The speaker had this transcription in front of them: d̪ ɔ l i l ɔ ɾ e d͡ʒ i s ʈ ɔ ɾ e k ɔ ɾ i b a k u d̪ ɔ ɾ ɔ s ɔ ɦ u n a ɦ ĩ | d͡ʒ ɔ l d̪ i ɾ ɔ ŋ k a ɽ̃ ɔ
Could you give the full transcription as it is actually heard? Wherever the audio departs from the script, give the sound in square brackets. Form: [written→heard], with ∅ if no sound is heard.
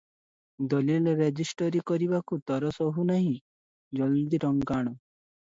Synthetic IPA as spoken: d̪ ɔ l i l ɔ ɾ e d͡ʒ i s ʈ ɔ ɾ [e→i] k ɔ ɾ i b a k u [d̪→t̪] ɔ ɾ ɔ s ɔ ɦ u n a ɦ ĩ | d͡ʒ ɔ l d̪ i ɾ ɔ ŋ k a ɽ̃ ɔ